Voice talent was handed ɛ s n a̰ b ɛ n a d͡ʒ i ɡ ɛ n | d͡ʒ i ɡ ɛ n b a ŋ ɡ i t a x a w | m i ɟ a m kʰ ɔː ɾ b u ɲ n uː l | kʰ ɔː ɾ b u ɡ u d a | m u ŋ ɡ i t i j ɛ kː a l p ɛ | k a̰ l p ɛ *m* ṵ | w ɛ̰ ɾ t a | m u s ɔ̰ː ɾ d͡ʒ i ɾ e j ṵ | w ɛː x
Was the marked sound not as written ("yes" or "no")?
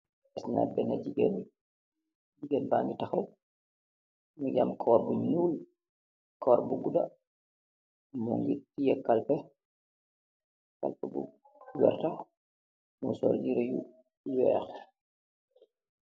yes